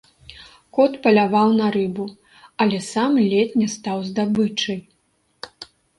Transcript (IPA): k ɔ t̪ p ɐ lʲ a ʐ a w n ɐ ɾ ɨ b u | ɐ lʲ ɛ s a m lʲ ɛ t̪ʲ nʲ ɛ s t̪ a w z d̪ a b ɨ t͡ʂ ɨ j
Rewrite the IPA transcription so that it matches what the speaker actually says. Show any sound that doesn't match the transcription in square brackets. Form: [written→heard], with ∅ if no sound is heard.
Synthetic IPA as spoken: k ɔ t̪ p ɐ lʲ a [ʐ→v] a w n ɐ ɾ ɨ b u | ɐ lʲ ɛ s a m lʲ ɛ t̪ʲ nʲ ɛ s t̪ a w z d̪ a b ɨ t͡ʂ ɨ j